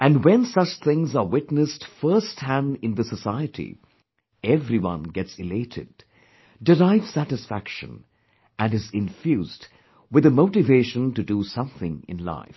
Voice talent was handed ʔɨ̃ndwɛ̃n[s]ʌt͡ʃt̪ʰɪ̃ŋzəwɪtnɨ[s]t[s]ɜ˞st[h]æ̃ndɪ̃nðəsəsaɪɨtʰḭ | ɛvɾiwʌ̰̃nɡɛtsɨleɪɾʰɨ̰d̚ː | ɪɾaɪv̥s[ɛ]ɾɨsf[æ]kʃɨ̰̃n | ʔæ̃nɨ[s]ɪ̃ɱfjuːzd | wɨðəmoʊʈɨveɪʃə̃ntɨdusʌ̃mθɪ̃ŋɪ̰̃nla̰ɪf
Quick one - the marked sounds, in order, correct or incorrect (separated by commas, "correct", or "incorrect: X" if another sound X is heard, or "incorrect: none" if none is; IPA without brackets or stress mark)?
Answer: correct, correct, incorrect: f, correct, incorrect: æ, correct, incorrect: z